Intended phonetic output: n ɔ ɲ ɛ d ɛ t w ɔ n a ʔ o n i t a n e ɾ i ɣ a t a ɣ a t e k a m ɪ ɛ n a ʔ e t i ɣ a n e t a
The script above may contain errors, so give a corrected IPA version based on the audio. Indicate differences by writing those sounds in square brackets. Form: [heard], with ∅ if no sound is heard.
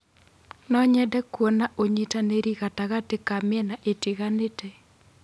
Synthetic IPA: n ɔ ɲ ɛ d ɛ [k] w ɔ n a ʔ o [ɲ] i t a n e ɾ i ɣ a t a ɣ a t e k a m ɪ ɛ n a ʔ e t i ɣ a n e t [ɛ]